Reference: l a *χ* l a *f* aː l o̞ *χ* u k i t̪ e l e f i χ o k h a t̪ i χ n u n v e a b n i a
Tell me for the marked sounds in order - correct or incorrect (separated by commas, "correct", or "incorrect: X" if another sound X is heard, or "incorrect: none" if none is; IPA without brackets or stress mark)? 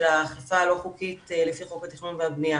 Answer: correct, correct, correct